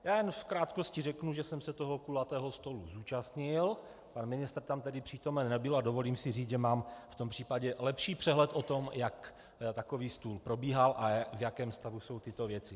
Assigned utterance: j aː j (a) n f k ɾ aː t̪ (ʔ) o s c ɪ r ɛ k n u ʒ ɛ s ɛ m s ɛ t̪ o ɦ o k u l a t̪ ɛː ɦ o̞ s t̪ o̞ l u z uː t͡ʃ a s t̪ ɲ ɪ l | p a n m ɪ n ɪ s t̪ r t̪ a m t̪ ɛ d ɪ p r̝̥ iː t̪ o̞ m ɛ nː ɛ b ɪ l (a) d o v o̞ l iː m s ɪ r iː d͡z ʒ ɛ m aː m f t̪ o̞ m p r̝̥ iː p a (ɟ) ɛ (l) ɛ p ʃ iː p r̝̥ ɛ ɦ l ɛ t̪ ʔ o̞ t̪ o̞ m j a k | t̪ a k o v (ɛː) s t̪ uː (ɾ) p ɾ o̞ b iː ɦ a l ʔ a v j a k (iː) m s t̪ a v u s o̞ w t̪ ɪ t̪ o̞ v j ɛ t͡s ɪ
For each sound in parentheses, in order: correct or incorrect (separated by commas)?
incorrect, incorrect, correct, correct, correct, incorrect, incorrect, incorrect